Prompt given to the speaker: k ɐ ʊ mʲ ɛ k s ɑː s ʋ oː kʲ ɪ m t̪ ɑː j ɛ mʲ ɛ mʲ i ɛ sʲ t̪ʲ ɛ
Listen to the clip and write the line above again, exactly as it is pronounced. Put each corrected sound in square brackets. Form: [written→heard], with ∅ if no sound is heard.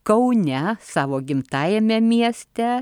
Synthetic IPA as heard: k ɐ ʊ [mʲ→nʲ] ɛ [k→∅] s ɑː [s→∅] ʋ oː [kʲ→ɡʲ] ɪ m t̪ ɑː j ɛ mʲ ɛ mʲ i ɛ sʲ t̪ʲ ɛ

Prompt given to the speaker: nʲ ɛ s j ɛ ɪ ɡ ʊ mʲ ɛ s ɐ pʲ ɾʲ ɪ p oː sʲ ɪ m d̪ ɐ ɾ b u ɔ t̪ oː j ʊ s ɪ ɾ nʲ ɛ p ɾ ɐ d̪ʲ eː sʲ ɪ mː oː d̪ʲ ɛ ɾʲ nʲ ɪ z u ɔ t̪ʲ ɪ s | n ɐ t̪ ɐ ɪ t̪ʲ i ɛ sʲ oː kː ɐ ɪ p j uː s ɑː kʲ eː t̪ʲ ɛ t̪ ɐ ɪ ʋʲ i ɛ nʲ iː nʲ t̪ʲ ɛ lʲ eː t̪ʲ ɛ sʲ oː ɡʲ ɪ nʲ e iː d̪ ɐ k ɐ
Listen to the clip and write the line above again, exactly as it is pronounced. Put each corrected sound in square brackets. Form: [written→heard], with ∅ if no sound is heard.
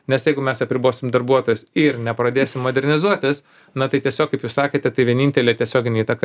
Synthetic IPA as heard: nʲ ɛ s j ɛ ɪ ɡ ʊ mʲ ɛ s ɐ pʲ ɾʲ ɪ [p→b] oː sʲ ɪ m d̪ ɐ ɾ b u ɔ t̪ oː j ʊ s ɪ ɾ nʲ ɛ p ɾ ɐ d̪ʲ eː sʲ ɪ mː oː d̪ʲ ɛ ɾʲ nʲ ɪ z u ɔ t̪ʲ ɪ s | n ɐ t̪ ɐ ɪ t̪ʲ i ɛ sʲ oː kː ɐ ɪ p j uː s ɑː kʲ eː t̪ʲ ɛ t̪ ɐ ɪ ʋʲ i ɛ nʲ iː nʲ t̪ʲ ɛ lʲ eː t̪ʲ ɛ sʲ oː ɡʲ ɪ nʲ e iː [d̪→t̪] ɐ k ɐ

